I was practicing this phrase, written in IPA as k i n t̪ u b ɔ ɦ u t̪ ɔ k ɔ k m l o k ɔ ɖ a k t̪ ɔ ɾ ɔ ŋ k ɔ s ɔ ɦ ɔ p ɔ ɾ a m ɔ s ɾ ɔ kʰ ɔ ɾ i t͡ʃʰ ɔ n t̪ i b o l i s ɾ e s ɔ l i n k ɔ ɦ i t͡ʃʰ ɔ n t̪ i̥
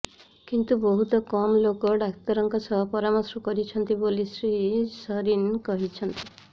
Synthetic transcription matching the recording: k i n t̪ u b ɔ ɦ u t̪ ɔ k ɔ m l o k ɔ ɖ a k t̪ ɔ ɾ ɔ ŋ k ɔ s ɔ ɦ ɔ p ɔ ɾ a m ɔ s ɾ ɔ k ɔ ɾ i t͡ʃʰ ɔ n t̪ i b o l i s ɾ i s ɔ ɾ i n k ɔ ɦ i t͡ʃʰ ɔ n t̪ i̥